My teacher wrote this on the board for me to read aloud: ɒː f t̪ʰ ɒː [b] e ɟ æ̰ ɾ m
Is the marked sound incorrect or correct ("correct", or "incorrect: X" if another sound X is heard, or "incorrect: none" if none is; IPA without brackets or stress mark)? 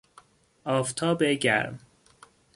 correct